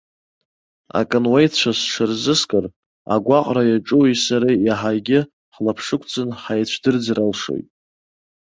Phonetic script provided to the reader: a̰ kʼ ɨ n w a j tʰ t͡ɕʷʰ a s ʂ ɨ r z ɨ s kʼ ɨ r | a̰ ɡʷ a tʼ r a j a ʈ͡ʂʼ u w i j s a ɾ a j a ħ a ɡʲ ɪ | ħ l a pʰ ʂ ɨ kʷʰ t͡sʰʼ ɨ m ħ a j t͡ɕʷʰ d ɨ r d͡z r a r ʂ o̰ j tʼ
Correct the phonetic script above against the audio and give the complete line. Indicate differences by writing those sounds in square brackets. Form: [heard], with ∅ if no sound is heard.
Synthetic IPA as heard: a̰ kʼ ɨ n w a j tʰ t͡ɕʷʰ a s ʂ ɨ r z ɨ s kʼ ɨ r | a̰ ɡʷ a [qʼ] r a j a ʈ͡ʂʼ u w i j s a ɾ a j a ħ a ɡʲ ɪ | ħ l a pʰ ʂ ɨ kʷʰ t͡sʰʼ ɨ [n] ħ a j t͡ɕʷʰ d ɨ r d͡z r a [l] ʂ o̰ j tʼ